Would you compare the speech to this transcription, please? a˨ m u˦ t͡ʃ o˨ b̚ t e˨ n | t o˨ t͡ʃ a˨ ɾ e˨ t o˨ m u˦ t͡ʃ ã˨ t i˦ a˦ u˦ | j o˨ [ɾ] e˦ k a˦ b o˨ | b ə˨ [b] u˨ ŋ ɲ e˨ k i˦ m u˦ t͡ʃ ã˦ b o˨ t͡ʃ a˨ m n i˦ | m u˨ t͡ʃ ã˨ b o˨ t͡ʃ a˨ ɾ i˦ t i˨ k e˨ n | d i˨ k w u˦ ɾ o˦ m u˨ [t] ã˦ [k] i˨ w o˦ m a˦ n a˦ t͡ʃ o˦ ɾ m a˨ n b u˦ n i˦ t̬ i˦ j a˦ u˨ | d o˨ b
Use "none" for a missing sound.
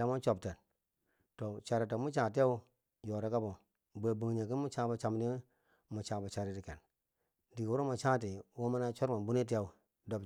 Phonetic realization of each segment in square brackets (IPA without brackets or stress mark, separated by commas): ɾ, b, t͡ʃ, t